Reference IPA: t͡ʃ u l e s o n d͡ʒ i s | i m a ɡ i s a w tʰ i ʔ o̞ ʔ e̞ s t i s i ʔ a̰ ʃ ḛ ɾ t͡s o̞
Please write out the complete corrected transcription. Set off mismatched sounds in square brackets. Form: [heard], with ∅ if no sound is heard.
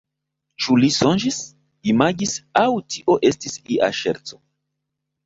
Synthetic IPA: t͡ʃ u l [i] s o n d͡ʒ i s | i m a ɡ i s a w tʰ i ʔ o̞ ʔ e̞ s t i s i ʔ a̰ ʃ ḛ ɾ t͡s o̞